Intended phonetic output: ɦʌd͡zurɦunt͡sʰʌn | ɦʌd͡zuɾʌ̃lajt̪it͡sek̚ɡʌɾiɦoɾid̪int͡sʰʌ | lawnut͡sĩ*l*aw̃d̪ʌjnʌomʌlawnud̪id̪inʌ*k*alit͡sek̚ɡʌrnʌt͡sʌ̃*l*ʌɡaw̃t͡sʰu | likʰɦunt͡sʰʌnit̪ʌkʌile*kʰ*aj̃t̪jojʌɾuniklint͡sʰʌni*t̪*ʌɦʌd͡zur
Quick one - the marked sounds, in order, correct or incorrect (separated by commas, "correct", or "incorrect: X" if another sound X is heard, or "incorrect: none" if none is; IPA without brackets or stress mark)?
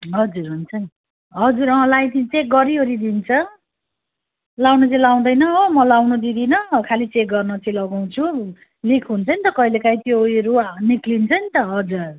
correct, incorrect: kʰ, correct, incorrect: k, correct